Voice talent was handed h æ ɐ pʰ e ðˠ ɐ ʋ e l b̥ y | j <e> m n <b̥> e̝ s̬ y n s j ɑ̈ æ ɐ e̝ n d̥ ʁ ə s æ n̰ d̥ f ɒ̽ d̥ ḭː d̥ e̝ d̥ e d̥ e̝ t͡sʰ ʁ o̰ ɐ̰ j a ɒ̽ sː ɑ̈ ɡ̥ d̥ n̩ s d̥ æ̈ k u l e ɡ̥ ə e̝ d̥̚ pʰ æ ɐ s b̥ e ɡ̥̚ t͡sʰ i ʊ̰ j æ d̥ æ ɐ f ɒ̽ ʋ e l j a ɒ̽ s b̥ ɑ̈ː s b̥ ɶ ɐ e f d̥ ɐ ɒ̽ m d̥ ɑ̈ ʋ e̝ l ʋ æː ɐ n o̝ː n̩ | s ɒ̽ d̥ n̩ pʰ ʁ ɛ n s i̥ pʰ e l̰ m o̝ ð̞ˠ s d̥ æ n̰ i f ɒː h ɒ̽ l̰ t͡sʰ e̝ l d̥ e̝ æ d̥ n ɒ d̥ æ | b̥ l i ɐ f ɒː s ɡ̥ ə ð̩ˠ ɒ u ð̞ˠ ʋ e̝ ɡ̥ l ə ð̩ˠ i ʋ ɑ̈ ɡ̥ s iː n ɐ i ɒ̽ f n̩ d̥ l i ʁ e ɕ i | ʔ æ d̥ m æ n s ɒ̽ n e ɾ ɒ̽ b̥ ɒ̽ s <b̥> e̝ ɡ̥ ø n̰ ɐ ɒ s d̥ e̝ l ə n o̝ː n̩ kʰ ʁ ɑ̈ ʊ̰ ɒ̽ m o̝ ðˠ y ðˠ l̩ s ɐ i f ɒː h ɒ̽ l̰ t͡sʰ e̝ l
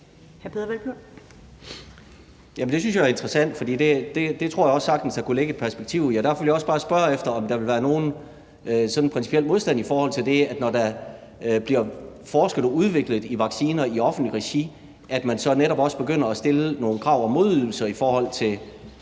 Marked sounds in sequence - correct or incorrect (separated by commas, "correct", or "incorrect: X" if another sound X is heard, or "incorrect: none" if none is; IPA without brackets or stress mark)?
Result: incorrect: æ, incorrect: d̥, correct